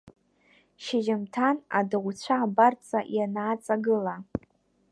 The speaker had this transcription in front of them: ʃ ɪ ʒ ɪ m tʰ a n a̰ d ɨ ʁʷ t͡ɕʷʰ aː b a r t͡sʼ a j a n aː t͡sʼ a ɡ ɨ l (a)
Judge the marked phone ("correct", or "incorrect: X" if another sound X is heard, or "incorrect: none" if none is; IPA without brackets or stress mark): correct